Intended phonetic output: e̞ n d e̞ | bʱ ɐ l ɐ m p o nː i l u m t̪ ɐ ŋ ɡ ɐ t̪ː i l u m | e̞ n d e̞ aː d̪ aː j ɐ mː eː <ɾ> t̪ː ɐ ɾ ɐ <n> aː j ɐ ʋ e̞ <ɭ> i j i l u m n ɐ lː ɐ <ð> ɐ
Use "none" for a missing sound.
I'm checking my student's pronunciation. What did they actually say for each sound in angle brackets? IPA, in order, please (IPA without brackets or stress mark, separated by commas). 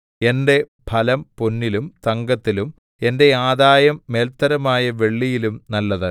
l, m, ɭː, ð